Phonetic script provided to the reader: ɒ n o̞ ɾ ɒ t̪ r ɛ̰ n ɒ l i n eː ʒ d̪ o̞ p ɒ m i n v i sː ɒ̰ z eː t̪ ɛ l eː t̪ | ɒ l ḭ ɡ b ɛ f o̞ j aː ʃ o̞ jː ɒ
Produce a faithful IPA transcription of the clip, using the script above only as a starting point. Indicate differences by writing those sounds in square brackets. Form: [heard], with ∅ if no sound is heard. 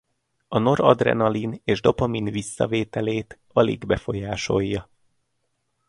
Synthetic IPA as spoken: ɒ n o̞ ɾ ɒ [d̪] r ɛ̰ n ɒ l i n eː ʒ d̪ o̞ p ɒ m i n v i sː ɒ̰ [v] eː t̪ ɛ l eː t̪ | ɒ l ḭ ɡ b ɛ f o̞ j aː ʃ o̞ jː ɒ